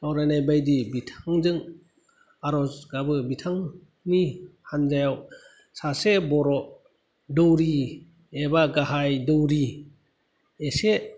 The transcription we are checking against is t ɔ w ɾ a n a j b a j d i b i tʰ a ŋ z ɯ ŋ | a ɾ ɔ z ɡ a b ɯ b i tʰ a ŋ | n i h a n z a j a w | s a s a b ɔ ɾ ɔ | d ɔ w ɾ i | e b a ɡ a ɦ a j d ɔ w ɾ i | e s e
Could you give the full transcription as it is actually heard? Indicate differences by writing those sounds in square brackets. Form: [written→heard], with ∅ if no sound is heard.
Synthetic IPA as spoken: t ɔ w ɾ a n a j b a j d i b i tʰ a ŋ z ɯ ŋ | a ɾ ɔ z ɡ a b ɯ b i tʰ a ŋ | n i h a n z a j a w | s a s [a→e] b ɔ ɾ ɔ | d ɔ w ɾ i | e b a ɡ a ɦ a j d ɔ w ɾ i | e s e